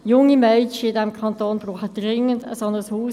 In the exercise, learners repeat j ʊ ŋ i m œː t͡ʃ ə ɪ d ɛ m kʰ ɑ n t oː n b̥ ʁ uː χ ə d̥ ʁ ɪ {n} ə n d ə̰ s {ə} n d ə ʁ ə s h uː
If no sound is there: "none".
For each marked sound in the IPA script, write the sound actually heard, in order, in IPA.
ŋ, ɑ

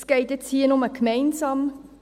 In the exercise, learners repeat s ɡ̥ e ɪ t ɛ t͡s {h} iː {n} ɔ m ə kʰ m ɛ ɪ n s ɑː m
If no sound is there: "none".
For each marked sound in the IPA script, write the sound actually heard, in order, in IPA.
h, n

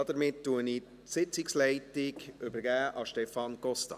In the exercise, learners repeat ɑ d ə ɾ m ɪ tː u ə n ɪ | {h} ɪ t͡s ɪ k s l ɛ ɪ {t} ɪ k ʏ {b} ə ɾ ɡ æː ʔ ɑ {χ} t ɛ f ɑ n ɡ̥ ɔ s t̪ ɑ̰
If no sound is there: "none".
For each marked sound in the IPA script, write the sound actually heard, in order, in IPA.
s, t, b, ʃ

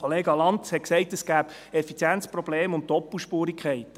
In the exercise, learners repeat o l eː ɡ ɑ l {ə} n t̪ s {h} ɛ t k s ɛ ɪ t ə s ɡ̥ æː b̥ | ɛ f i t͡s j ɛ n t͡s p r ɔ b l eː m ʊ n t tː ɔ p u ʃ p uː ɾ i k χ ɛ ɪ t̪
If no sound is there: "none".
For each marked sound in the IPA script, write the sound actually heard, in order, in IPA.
ɑ, h

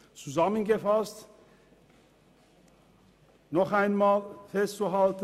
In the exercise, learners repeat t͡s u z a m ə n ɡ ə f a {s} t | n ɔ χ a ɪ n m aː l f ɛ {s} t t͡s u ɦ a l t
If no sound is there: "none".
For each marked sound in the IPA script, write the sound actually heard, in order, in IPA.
s, s

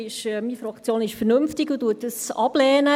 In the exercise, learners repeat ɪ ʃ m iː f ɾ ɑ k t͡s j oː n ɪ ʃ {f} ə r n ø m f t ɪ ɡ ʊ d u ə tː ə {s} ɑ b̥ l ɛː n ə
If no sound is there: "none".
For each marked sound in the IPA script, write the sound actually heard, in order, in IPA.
f, s

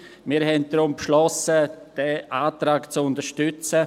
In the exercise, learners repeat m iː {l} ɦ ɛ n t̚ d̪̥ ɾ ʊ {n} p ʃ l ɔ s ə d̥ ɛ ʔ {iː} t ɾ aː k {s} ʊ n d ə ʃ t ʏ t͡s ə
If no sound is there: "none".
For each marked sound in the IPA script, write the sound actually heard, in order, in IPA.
ɾ, m, aː, t͡s

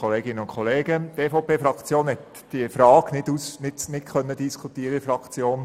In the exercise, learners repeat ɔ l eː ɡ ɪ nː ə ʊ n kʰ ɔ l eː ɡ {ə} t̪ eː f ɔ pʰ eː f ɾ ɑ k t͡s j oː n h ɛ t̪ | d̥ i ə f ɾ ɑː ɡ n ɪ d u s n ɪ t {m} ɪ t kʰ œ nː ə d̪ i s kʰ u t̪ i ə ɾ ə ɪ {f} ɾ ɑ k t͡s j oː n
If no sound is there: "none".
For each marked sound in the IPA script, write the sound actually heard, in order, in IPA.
ə, n, f

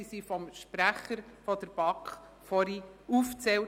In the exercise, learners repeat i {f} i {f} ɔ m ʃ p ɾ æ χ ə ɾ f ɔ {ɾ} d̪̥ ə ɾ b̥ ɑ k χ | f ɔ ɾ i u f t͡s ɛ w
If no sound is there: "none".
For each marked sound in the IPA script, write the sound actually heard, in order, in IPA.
s, f, none

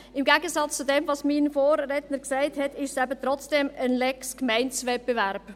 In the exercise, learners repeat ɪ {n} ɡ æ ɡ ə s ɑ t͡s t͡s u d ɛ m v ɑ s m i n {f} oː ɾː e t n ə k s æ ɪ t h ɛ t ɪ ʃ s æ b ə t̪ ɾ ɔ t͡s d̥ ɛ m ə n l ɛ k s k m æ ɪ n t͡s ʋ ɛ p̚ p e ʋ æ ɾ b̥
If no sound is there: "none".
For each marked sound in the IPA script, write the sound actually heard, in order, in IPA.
m, f

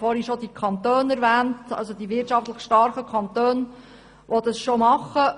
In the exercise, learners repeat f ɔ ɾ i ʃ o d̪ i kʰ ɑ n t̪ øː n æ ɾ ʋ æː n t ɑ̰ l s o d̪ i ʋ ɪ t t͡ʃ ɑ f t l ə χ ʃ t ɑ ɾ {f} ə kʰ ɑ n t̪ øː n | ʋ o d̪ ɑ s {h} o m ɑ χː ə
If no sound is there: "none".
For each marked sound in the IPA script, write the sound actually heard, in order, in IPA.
χ, ʃ

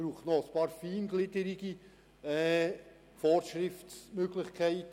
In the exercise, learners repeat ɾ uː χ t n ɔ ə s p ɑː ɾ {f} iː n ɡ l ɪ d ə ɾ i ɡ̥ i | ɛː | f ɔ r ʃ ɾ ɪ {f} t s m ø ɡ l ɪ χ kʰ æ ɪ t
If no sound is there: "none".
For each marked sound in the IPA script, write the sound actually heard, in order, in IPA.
f, f

